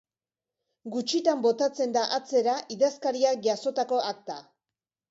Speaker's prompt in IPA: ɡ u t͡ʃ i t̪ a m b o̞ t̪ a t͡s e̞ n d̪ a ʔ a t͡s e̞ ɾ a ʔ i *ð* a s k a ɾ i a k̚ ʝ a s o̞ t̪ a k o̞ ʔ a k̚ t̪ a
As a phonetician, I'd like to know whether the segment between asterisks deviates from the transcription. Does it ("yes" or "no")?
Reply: no